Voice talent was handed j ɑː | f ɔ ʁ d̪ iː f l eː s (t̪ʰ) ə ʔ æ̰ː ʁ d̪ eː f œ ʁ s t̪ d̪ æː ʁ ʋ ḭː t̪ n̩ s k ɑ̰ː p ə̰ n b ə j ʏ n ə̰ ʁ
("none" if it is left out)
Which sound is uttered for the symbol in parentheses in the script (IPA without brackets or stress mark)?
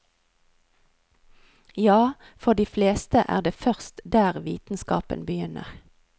t̪